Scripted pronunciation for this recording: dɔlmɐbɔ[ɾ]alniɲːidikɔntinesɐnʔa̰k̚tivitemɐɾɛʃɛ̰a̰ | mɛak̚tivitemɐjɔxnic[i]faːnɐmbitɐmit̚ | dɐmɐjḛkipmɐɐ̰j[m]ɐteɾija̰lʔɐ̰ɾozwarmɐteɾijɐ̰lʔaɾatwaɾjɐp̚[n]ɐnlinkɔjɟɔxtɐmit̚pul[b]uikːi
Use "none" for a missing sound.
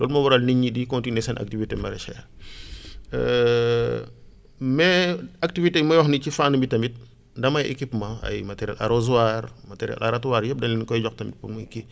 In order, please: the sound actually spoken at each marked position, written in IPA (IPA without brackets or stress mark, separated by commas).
ɾ, i, m, d, m